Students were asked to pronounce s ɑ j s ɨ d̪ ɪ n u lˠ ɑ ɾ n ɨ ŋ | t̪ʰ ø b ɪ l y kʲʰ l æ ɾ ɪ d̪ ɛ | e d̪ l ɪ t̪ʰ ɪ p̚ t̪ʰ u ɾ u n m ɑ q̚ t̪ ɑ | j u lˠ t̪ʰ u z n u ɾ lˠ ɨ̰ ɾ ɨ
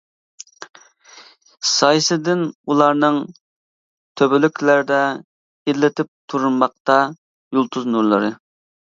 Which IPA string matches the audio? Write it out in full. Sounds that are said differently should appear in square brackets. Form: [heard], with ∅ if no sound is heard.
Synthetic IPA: s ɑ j s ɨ d̪ ɪ n u lˠ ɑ ɾ n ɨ ŋ | t̪ʰ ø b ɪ l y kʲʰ l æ ɾ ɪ d̪ ɛ | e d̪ l ɪ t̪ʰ ɪ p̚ t̪ʰ u ɾ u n m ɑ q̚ t̪ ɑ | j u lˠ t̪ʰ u z n u ɾ lˠ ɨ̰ ɾ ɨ